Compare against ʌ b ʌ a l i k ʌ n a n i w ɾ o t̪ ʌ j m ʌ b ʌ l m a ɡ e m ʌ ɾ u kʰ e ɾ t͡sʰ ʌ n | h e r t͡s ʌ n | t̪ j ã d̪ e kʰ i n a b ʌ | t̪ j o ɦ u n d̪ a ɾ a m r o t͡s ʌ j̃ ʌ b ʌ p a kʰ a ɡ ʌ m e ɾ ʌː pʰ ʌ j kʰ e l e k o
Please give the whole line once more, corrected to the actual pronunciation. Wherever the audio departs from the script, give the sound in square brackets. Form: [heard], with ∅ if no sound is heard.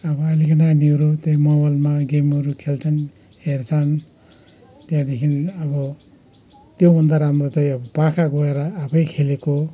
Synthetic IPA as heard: ʌ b ʌ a l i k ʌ n a n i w ɾ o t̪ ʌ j m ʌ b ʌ l m a ɡ e m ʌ ɾ u kʰ e [l] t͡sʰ ʌ n | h e r [t͡sʰ] ʌ n | t̪ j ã d̪ e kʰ i n [ʌ] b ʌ | t̪ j o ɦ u n d̪ a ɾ a m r o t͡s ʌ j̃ ʌ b ʌ p a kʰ a ɡ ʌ [∅] e ɾ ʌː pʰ ʌ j kʰ e l e k o